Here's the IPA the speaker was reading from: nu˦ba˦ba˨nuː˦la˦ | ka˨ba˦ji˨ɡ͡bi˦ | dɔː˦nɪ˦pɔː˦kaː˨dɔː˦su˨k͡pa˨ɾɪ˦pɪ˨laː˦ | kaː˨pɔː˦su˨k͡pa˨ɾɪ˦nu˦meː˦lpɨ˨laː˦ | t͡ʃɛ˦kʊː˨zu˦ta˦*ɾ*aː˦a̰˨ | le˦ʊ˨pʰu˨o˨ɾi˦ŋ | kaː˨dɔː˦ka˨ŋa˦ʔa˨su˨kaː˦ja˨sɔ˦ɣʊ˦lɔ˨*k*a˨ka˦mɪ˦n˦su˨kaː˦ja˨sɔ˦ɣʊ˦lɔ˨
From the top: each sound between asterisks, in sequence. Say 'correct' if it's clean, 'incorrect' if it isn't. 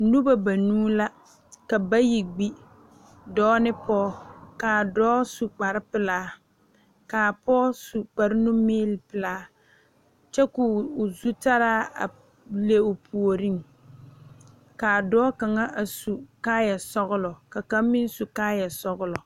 correct, correct

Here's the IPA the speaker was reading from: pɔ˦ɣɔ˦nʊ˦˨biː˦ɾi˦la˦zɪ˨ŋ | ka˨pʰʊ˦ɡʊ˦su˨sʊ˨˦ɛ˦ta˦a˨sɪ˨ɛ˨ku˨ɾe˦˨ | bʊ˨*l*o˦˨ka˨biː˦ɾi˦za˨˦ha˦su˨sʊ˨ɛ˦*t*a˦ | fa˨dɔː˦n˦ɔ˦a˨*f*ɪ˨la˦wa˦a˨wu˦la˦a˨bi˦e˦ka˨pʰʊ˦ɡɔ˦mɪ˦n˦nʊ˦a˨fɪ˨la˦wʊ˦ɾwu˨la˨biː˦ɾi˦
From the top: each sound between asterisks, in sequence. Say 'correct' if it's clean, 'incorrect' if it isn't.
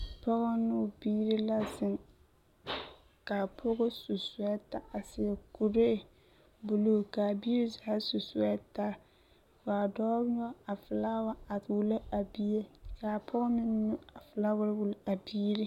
correct, correct, correct

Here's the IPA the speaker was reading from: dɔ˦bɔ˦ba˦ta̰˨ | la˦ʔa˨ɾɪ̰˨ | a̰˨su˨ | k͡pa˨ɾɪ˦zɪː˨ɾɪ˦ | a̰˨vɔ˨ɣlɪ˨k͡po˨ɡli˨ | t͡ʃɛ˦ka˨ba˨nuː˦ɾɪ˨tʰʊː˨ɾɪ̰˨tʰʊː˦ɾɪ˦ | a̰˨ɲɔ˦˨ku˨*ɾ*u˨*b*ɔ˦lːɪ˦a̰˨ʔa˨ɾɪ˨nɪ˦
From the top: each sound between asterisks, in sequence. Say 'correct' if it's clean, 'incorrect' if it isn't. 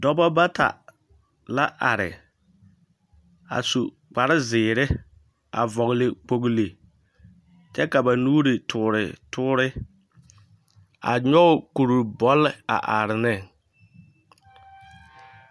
correct, correct

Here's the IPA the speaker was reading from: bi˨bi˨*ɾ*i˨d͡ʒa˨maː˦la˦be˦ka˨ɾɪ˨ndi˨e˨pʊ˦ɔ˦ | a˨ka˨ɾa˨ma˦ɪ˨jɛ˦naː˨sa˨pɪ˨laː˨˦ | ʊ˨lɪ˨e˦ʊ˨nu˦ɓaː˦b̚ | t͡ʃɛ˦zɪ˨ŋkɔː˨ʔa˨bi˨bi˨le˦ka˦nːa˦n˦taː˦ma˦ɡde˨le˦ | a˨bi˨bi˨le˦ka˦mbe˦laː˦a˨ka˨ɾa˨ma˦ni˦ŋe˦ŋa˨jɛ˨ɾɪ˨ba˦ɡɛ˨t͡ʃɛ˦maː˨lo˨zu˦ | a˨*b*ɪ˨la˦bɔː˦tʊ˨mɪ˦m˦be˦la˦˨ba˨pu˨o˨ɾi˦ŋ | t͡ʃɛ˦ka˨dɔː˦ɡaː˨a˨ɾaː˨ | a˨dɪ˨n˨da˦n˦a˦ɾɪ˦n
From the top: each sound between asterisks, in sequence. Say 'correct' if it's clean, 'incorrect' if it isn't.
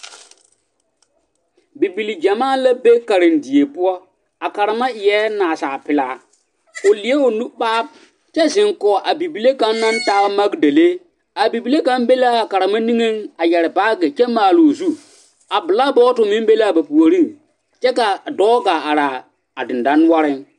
incorrect: l, correct

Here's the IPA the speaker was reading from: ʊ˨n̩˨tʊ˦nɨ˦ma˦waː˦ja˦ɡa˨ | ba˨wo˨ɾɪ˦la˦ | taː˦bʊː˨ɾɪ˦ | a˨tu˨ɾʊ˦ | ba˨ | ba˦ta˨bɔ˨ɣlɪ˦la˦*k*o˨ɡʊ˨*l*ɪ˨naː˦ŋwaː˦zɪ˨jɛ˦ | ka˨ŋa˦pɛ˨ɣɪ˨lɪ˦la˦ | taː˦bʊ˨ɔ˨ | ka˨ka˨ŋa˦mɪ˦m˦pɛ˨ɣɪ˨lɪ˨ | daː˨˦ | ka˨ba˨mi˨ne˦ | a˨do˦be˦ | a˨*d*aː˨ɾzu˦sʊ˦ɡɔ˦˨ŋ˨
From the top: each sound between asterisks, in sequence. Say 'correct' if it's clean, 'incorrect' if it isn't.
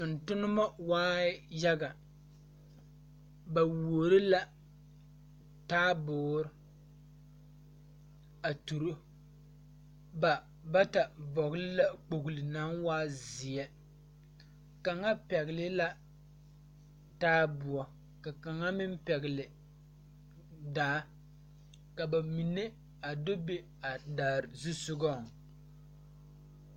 incorrect: k͡p, correct, correct

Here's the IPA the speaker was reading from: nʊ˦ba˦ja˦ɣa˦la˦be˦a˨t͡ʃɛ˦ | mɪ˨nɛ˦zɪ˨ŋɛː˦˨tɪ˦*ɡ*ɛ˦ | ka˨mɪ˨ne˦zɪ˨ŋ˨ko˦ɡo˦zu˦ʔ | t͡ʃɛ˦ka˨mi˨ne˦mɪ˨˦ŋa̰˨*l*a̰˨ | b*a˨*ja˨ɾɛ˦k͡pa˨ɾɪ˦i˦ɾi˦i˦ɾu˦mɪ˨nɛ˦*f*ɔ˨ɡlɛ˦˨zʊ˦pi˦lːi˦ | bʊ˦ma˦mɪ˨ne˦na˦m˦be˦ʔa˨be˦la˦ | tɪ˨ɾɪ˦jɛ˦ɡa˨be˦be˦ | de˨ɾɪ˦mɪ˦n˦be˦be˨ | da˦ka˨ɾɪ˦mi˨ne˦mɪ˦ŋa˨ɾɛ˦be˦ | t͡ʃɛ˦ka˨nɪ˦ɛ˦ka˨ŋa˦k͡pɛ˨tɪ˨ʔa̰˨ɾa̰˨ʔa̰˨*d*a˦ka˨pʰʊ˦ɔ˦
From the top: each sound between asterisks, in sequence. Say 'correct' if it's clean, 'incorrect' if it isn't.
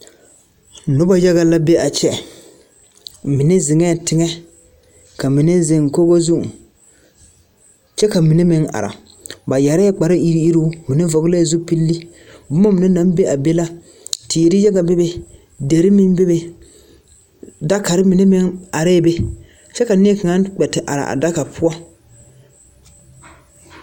incorrect: ŋ, incorrect: ɾ, correct, incorrect: v, correct

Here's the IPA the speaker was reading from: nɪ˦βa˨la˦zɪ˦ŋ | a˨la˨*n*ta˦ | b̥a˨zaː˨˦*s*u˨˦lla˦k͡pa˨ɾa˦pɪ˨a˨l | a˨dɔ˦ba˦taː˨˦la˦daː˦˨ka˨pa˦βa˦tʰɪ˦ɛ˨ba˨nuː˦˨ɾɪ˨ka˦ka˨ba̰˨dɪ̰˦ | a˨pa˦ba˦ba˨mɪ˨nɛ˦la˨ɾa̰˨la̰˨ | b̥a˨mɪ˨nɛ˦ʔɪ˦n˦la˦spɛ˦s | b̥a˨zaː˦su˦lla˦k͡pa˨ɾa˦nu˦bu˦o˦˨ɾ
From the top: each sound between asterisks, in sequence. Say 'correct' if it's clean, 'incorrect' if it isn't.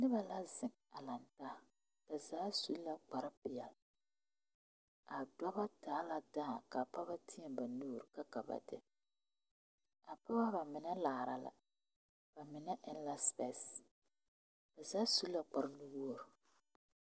correct, correct

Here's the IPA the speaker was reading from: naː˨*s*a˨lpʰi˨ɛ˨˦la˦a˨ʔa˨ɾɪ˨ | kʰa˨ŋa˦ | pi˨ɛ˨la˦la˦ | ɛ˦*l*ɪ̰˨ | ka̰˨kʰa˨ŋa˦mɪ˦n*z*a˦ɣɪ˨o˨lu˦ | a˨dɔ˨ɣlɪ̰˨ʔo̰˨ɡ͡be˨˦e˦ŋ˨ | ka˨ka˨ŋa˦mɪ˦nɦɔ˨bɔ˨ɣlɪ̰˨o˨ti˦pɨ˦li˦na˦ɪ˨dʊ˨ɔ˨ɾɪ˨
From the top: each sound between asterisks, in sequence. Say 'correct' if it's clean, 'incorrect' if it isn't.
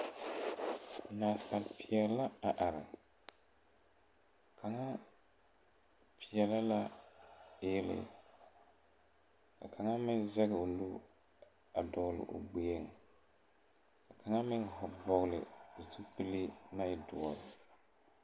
correct, correct, correct

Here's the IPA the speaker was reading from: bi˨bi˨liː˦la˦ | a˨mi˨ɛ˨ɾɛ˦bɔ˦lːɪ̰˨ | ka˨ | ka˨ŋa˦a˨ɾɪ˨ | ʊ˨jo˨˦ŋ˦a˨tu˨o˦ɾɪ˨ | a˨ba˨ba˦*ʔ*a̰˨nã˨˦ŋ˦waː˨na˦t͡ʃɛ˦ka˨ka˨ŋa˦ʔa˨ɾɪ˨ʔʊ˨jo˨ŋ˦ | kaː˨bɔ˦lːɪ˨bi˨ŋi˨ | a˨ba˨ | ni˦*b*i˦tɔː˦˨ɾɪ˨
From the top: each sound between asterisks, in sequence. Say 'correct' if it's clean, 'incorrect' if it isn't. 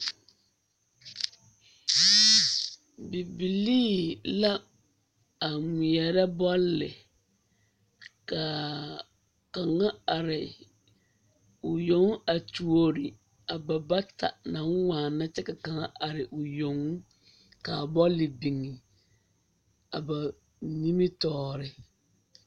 incorrect: t, incorrect: m

